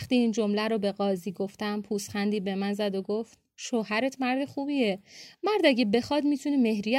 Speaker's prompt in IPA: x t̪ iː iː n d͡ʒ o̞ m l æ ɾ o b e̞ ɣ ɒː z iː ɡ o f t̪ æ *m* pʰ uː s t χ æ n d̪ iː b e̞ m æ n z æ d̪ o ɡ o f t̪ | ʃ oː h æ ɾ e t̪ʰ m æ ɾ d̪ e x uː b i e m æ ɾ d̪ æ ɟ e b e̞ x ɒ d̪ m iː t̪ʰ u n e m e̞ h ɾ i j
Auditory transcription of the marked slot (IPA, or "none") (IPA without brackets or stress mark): m